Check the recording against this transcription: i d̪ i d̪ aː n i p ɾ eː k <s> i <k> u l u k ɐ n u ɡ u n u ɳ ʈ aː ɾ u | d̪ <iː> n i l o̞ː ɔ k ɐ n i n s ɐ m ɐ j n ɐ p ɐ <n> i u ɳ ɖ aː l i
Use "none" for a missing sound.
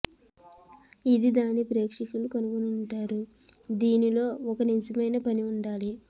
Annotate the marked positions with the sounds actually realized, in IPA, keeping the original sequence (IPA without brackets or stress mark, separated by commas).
ʂ, k, iː, n